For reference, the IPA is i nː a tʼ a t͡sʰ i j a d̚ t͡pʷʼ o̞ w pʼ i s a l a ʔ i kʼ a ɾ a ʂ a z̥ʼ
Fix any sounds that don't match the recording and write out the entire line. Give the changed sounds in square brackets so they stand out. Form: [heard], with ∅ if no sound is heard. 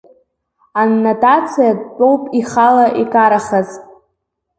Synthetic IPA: [a] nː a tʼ a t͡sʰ i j a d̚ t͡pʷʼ o̞ w pʼ i [χ] a l a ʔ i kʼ a ɾ a [χ] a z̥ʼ